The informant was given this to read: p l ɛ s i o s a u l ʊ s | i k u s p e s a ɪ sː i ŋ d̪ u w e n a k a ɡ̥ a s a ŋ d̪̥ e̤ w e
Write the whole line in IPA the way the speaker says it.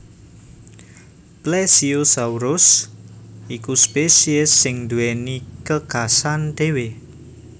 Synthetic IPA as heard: p l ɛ s i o s a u ɾ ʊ s | i k u s p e s i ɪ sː ɪ ŋ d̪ u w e n i k ə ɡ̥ a s a n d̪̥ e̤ w e